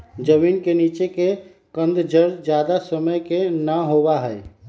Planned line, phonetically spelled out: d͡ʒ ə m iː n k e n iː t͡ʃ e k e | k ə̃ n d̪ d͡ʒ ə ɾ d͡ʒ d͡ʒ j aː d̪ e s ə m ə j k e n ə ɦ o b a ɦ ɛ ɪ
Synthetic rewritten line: d͡ʒ ə m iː n k e n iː t͡ʃ e k e | k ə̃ n d̪ d͡ʒ ə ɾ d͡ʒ d͡ʒ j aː d̪ a s ə m ə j k e n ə ɦ o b a ɦ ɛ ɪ

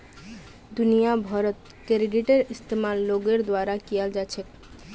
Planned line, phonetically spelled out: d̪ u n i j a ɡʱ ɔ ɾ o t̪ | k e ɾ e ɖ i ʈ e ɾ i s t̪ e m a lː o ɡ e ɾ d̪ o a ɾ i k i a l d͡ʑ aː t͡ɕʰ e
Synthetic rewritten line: d̪ u n i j a bʱ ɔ ɾ o t̪ | k e ɾ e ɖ i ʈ e ɾ i s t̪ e m a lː o ɡ e ɾ d̪ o a ɾ a k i a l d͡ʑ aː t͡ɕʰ e

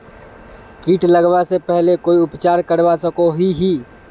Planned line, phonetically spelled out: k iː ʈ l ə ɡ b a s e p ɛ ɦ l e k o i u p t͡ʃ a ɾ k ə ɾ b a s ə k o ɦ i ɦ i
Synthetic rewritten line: k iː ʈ l ə ɡ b a s e p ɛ ɦ l e k o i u p t͡ʃ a ɾ k ə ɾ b a s ə k o ɦ i ɦ i

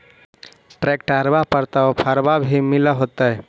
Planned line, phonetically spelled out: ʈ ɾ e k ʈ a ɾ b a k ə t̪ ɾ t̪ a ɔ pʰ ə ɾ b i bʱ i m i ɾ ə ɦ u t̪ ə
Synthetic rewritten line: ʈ ɾ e k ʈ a ɾ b a p ə ɾ t̪ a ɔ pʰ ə ɾ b a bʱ i m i l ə ɦ o t̪ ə

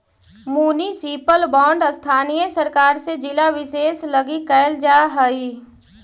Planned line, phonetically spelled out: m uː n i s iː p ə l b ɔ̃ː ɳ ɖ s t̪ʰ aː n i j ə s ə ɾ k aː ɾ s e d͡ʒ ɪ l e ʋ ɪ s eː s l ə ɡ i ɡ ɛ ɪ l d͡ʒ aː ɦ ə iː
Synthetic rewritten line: m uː n i s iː p ə l b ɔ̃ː ɳ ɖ s t̪ʰ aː n i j ə s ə ɾ k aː ɾ s e d͡ʒ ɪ l a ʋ ɪ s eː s l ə ɡ i k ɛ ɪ l d͡ʒ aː ɦ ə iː

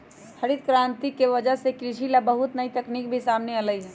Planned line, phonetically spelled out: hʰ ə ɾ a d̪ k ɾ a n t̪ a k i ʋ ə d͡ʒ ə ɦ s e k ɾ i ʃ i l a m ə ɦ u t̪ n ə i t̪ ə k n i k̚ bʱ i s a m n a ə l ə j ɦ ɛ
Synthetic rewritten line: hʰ ə ɾ i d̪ k ɾ a n t̪ i k e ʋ ə d͡ʒ ə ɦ s e k ɾ i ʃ i l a b ə ɦ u t̪ n ə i t̪ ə k n i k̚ bʱ i s a m n e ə l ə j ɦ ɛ

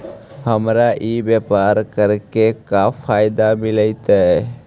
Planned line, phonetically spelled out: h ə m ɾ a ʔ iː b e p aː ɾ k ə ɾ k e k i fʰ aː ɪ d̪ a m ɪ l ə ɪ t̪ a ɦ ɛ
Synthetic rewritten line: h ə m ɾ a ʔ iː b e p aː ɾ k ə ɾ k e k a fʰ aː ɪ d̪ a m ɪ l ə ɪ t̪ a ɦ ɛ

